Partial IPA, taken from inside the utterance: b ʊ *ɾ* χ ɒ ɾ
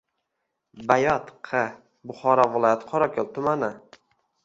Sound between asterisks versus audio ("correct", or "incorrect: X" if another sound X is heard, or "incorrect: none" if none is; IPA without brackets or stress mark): incorrect: none